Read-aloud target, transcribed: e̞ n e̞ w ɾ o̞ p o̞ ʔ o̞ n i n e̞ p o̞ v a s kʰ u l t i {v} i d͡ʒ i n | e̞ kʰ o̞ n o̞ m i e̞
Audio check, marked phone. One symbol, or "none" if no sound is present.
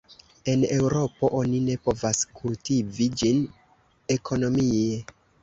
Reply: v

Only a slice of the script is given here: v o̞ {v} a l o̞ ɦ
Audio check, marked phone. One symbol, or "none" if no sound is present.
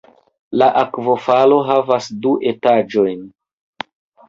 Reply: f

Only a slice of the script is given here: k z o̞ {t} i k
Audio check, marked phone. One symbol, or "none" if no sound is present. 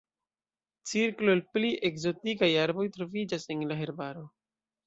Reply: t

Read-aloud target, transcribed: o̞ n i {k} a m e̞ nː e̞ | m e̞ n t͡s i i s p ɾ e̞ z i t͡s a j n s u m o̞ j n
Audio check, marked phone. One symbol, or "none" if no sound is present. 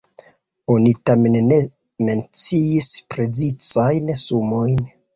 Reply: t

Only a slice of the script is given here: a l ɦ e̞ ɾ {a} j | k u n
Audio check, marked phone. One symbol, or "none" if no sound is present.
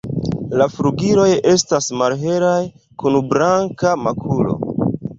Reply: a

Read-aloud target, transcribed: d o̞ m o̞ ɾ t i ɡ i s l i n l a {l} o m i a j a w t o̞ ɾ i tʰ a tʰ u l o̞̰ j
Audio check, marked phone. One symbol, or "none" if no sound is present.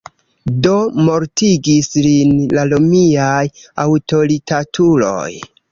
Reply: l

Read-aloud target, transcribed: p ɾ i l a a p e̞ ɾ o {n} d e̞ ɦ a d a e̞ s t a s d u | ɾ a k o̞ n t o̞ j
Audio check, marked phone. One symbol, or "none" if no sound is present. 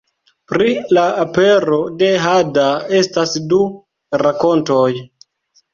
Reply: none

